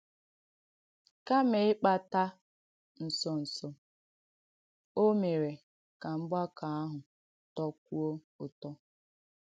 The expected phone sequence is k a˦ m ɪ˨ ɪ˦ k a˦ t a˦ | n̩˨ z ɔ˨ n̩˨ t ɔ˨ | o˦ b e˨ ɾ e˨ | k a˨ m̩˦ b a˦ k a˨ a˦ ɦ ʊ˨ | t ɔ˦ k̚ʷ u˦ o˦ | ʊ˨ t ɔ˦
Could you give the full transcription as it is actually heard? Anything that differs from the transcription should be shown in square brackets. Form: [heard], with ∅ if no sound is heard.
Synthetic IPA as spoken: k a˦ m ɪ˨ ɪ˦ [k͡p] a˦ t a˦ | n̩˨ [s] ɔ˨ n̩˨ [s] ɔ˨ | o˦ [m] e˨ ɾ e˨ | k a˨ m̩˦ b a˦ k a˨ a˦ ɦ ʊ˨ | t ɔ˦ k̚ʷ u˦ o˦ | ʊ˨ t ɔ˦